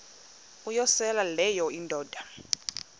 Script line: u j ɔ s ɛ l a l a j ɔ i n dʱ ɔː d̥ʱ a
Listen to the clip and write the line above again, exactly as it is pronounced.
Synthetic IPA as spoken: u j ɔ s ɛ l a l ɛ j ɔ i n dʱ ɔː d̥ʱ a